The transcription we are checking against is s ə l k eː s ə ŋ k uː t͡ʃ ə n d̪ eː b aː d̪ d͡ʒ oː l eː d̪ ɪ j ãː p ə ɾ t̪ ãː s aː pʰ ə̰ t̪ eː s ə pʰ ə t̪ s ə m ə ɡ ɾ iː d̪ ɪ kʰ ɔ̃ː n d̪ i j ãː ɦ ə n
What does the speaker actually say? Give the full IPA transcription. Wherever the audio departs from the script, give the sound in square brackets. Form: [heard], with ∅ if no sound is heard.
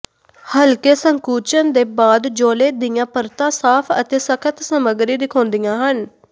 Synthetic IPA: [h] ə l k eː s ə ŋ k uː t͡ʃ ə n d̪ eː b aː d̪ d͡ʒ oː l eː d̪ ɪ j ãː p ə ɾ t̪ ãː s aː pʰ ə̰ t̪ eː s ə [kʰ] ə t̪ s ə m ə ɡ ɾ iː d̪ ɪ kʰ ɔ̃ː n d̪ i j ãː ɦ ə n